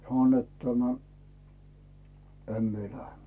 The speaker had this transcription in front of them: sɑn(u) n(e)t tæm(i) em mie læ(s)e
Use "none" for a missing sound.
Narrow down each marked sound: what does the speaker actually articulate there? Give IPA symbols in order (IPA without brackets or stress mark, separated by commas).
o, e, æ, h